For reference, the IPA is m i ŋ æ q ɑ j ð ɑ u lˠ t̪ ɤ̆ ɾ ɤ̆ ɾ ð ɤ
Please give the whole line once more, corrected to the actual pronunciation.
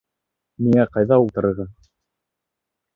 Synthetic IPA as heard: m i ŋ æ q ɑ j ð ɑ u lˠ t̪ ɤ̆ ɾ ɤ̆ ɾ ʁ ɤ